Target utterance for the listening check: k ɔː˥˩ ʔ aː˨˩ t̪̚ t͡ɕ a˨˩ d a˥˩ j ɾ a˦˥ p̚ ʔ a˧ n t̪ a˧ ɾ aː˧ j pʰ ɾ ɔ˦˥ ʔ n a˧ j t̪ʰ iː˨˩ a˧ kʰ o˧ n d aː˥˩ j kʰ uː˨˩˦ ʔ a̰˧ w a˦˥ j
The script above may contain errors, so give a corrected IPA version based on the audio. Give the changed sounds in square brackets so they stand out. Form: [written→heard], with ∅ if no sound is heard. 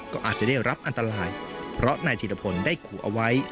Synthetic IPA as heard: k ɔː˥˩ ʔ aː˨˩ t̪̚ t͡ɕ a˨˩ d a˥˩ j ɾ a˦˥ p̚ ʔ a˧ n t̪ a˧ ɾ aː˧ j pʰ ɾ ɔ˦˥ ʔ n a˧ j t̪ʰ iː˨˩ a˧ [kʰ→pʰ] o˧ n d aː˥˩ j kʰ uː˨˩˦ ʔ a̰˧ w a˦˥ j